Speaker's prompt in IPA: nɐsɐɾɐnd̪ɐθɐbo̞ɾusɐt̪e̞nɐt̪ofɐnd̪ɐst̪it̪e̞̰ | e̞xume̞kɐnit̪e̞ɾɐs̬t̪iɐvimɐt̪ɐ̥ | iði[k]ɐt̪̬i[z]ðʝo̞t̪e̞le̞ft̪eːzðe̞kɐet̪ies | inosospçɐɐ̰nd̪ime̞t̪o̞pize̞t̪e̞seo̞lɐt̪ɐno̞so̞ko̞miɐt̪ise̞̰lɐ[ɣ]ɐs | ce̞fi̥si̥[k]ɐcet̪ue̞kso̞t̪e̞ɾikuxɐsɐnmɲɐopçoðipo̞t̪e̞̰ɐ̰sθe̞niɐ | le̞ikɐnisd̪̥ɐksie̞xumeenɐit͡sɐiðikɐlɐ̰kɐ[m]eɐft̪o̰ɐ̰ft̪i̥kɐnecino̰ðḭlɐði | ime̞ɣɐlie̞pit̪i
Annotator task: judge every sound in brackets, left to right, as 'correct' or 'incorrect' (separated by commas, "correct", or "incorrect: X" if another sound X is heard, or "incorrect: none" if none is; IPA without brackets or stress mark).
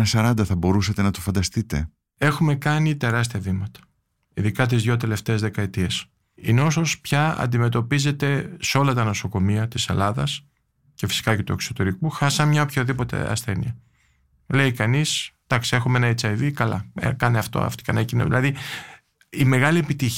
correct, correct, incorrect: ð, correct, incorrect: n